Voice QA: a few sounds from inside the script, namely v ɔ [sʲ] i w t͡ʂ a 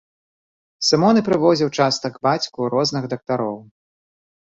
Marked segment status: incorrect: zʲ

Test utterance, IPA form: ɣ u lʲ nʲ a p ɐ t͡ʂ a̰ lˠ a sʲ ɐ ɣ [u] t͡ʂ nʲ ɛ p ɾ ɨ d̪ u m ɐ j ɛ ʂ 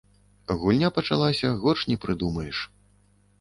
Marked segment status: incorrect: ɔ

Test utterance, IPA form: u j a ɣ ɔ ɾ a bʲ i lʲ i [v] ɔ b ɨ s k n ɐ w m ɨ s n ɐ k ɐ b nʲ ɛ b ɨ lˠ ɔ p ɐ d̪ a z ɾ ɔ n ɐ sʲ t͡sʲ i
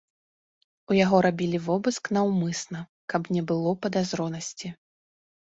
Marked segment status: correct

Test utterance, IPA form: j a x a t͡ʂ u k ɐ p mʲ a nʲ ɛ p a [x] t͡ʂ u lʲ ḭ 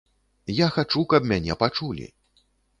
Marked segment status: incorrect: none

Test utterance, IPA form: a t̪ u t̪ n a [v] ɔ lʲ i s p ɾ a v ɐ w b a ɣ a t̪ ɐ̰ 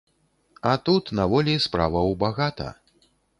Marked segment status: correct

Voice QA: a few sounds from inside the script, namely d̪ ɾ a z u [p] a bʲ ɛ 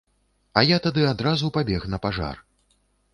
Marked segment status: correct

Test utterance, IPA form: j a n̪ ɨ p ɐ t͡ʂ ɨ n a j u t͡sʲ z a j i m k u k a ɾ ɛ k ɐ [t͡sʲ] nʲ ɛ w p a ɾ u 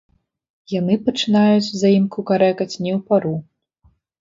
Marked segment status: correct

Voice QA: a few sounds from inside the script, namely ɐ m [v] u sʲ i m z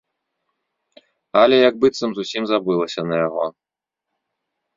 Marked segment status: incorrect: z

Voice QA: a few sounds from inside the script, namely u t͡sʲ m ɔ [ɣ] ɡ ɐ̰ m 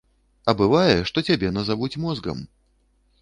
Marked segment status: incorrect: z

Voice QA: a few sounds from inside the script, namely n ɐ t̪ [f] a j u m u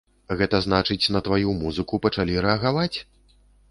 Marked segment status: incorrect: v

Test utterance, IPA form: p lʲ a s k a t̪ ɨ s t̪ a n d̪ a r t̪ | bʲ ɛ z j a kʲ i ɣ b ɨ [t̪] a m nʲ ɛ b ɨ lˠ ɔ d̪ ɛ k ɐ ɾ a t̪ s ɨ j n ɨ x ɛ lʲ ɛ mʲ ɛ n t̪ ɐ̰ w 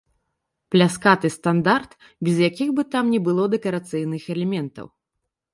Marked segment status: correct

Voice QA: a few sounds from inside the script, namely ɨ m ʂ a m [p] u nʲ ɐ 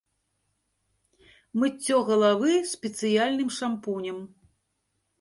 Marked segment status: correct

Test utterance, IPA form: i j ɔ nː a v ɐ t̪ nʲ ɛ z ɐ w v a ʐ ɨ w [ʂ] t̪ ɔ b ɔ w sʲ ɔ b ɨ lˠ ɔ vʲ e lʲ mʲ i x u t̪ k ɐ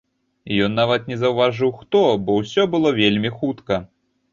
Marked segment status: incorrect: x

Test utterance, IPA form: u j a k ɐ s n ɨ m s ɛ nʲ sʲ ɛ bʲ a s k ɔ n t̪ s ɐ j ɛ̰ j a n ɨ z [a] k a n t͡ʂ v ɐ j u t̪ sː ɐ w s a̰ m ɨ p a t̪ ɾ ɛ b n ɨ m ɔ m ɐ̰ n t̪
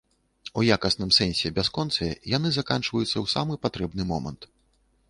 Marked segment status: correct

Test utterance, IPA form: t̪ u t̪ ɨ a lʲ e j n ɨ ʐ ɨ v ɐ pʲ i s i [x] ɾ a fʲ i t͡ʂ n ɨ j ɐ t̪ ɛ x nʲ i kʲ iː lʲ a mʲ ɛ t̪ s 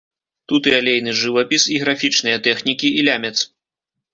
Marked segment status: incorrect: ɣ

